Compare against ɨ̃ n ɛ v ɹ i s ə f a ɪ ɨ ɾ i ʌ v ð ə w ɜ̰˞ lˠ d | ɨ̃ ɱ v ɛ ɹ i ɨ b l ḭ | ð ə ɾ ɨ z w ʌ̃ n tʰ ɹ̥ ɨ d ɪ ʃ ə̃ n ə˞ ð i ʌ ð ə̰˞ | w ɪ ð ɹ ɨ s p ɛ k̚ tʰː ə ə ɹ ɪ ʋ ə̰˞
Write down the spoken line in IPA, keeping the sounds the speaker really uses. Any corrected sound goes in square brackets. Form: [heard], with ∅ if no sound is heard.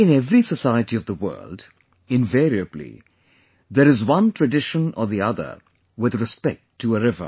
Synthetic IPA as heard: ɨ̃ n ɛ v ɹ i s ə [s] a ɪ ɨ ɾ i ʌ v ð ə w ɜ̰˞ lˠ d | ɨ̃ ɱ v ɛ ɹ i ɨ b l ḭ | ð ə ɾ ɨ z w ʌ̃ n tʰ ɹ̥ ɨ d ɪ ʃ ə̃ n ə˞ ð i ʌ ð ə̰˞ | w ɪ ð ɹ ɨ s p ɛ k̚ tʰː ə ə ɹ ɪ [v] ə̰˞